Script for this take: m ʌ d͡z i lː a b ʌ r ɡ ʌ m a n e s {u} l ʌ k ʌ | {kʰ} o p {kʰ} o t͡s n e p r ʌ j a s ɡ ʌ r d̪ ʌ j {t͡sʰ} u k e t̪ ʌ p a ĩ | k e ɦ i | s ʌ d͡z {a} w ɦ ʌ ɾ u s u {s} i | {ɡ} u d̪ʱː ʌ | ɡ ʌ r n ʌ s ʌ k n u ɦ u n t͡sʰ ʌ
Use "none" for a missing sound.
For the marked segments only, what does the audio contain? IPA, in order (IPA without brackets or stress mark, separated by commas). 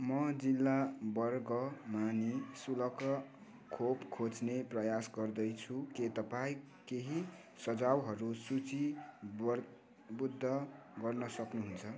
u, kʰ, kʰ, t͡sʰ, a, t͡s, b